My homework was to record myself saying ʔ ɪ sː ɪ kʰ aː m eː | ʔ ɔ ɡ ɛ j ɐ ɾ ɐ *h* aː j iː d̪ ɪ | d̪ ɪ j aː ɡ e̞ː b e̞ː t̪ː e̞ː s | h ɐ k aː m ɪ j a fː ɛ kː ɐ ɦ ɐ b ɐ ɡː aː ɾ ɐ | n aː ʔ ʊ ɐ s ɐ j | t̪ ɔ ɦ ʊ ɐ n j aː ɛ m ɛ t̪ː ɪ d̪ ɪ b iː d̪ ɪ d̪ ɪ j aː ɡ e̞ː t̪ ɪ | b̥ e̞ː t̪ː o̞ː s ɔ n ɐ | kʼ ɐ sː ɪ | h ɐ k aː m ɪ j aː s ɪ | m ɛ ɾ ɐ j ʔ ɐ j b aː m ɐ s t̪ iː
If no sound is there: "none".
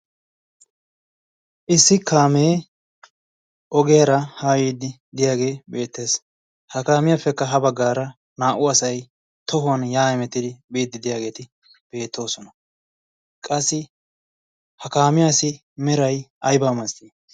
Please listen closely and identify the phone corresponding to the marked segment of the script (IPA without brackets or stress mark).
h